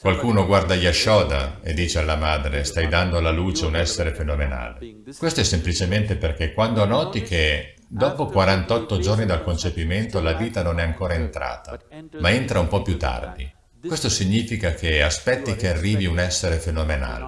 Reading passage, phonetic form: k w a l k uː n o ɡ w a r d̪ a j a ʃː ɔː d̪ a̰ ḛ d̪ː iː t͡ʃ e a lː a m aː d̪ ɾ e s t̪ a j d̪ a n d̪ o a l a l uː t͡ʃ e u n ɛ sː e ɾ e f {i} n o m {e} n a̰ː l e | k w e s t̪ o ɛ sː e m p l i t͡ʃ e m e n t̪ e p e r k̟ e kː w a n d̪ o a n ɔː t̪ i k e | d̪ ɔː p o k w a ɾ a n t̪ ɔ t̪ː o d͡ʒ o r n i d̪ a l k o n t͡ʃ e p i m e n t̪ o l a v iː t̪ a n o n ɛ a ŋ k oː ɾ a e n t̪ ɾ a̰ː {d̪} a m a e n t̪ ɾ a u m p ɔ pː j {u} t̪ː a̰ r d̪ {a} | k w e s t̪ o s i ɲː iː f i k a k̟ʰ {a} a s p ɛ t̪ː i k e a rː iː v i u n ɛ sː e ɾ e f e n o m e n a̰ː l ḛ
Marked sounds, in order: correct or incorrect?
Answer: incorrect, correct, incorrect, correct, incorrect, incorrect

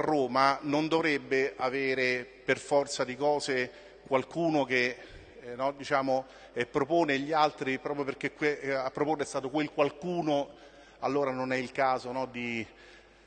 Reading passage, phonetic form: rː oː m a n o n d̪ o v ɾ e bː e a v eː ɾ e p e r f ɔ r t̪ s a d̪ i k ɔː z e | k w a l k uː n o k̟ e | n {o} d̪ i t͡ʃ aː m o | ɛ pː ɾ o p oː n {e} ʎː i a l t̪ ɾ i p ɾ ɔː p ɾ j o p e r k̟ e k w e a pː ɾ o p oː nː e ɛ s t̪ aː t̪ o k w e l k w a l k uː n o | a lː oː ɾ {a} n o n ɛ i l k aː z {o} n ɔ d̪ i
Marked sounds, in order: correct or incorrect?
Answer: incorrect, correct, correct, correct

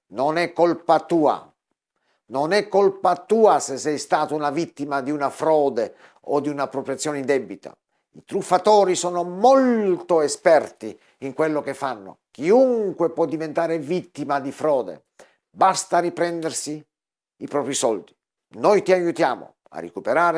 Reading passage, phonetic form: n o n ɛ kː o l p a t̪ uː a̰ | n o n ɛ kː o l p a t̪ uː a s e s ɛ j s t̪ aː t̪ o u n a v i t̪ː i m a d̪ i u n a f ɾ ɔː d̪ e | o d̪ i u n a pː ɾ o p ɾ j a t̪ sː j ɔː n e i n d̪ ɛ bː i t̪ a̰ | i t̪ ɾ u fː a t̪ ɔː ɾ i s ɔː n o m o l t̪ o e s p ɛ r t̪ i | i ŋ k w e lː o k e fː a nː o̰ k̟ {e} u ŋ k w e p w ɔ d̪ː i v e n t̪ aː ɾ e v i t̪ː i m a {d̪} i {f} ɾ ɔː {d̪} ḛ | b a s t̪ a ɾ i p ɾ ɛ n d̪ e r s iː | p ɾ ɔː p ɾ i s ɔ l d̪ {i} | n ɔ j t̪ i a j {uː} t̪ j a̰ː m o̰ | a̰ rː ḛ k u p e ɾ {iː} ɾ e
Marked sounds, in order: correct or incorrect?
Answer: incorrect, correct, correct, correct, correct, incorrect, incorrect

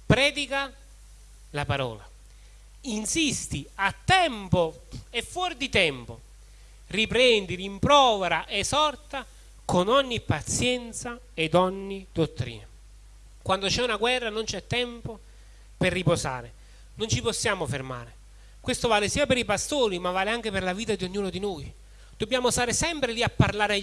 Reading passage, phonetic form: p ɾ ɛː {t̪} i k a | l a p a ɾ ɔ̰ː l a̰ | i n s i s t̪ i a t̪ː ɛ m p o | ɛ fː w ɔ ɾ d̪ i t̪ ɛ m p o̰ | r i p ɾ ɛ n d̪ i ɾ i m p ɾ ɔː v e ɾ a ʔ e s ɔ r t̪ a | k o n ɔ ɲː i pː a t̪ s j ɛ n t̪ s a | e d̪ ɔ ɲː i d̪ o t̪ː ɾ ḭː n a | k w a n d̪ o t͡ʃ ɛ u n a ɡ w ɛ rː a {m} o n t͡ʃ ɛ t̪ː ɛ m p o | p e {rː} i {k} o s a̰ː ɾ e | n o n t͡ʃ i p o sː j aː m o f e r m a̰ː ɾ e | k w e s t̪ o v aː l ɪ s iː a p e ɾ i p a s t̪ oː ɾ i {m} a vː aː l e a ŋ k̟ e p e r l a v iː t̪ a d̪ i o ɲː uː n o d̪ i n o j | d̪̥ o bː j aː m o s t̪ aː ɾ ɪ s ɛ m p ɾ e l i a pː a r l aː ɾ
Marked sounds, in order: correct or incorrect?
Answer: incorrect, incorrect, correct, incorrect, correct

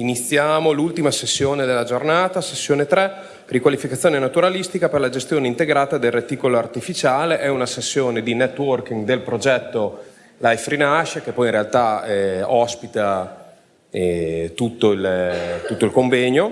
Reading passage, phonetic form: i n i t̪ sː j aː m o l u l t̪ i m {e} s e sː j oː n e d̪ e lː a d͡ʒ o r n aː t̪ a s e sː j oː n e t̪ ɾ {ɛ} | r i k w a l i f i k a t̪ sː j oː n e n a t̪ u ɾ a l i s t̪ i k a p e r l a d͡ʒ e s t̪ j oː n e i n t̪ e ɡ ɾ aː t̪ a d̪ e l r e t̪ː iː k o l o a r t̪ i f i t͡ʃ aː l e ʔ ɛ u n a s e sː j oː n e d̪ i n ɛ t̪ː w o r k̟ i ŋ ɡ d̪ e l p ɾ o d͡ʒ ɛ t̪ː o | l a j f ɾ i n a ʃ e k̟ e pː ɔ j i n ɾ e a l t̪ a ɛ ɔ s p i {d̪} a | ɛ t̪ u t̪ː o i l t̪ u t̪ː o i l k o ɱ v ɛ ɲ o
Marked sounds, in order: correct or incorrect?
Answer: incorrect, correct, incorrect

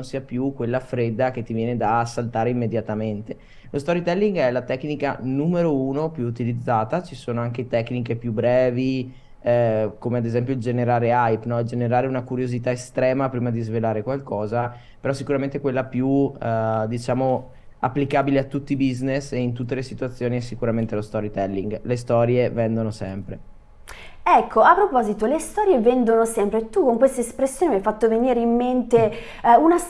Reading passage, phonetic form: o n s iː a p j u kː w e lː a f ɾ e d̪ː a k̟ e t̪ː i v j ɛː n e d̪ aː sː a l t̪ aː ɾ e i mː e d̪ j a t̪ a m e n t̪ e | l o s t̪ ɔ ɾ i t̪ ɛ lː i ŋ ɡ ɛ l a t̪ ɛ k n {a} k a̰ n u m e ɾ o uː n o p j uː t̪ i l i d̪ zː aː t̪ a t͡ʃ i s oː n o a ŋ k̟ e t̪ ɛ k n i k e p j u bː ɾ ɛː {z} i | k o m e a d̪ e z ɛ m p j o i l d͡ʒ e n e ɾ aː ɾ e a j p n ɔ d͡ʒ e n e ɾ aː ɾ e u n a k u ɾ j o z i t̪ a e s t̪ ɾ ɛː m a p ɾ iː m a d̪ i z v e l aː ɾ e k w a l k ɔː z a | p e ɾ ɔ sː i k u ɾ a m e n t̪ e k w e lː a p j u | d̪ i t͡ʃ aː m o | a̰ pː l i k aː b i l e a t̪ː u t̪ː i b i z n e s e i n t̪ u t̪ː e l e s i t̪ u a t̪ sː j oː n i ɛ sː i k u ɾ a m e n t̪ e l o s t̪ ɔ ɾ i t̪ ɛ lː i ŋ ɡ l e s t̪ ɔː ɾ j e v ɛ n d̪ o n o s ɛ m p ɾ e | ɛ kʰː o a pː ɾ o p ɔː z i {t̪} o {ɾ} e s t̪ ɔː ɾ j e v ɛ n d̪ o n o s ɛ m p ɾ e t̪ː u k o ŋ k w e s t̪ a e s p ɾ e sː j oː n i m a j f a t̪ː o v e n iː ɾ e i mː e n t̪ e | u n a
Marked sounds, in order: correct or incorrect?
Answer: incorrect, incorrect, correct, incorrect

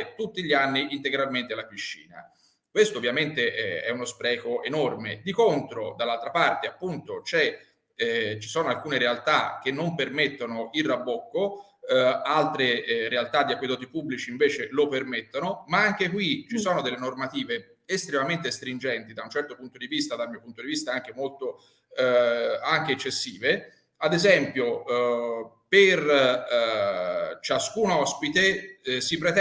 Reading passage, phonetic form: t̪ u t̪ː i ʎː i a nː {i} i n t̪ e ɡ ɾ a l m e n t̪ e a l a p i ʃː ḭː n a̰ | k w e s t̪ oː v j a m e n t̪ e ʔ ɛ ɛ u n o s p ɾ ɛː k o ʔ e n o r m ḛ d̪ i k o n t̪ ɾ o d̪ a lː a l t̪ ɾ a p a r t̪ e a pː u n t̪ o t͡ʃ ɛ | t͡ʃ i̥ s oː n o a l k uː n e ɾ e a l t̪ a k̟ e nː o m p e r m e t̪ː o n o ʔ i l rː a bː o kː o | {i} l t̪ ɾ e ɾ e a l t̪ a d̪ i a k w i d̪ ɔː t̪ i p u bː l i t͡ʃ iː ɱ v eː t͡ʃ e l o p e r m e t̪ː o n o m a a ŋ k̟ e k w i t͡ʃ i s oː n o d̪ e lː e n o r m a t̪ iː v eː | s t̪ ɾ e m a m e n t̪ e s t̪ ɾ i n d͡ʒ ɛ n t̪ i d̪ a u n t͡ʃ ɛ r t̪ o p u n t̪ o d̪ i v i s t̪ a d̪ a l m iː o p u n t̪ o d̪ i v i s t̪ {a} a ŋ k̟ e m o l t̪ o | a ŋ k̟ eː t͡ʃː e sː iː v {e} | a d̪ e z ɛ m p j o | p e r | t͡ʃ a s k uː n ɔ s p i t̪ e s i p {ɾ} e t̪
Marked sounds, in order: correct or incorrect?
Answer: correct, incorrect, correct, correct, correct

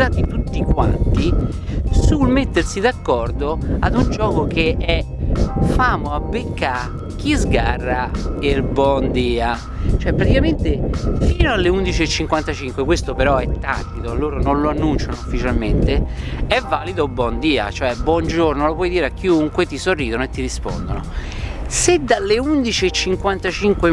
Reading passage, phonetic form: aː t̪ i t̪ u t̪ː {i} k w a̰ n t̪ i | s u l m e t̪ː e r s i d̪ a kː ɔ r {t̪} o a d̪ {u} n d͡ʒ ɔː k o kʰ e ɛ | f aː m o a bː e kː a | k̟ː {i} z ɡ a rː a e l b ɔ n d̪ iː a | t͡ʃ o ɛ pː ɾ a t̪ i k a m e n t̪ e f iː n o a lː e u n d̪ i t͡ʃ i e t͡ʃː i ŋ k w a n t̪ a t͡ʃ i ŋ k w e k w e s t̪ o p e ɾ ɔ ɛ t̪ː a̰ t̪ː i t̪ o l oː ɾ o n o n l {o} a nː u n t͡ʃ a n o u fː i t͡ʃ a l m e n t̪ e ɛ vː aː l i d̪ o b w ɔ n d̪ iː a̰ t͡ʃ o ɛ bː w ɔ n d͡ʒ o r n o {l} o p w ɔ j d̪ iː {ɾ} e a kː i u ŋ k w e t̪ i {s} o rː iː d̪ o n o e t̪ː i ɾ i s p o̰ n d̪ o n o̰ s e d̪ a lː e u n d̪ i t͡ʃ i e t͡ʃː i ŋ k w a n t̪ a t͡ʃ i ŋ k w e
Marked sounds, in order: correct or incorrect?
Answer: correct, incorrect, correct, correct, correct, correct, correct, correct

